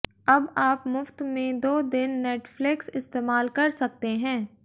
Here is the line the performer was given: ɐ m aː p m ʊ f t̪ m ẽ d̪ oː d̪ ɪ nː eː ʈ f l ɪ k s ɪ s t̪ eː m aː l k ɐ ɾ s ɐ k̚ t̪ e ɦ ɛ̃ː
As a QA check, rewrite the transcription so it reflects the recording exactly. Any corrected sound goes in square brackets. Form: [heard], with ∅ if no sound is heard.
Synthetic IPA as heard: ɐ [b] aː p m ʊ f t̪ m ẽ d̪ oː d̪ ɪ nː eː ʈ f l ɪ k s ɪ s t̪ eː m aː l k ɐ ɾ s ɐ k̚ t̪ e ɦ ɛ̃ː